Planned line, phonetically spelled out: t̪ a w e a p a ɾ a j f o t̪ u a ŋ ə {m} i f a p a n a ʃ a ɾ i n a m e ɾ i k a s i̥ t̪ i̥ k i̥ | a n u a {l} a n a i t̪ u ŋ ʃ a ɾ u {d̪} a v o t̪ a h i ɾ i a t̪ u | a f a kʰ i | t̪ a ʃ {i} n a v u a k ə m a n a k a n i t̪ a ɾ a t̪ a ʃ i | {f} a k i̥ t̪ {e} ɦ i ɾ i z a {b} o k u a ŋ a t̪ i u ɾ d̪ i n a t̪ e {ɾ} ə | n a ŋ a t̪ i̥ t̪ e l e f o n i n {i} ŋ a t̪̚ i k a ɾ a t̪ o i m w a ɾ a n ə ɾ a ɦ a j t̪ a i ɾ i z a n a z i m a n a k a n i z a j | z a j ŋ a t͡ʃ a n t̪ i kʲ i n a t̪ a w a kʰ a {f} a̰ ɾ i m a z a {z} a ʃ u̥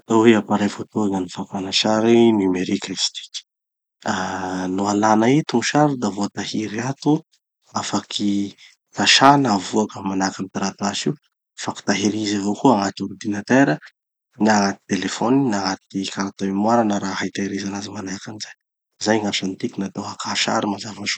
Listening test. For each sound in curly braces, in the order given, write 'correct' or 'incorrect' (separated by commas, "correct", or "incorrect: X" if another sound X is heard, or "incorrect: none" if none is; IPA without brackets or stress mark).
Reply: incorrect: n, correct, correct, incorrect: a, correct, incorrect: a, incorrect: v, correct, incorrect: a, incorrect: ʃ, incorrect: v